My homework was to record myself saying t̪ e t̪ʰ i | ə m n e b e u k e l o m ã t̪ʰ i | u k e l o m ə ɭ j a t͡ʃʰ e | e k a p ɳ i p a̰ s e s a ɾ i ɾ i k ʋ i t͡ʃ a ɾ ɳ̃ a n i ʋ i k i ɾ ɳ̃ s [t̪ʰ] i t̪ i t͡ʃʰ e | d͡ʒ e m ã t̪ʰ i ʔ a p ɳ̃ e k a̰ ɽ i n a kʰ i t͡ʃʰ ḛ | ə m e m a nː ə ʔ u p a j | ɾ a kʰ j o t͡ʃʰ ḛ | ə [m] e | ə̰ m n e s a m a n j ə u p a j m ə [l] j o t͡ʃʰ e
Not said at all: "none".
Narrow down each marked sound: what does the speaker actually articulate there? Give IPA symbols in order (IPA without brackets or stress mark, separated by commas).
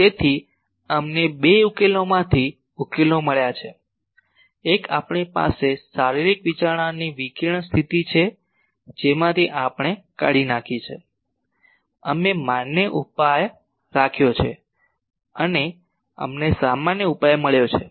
t̪ʰ, n, ɭ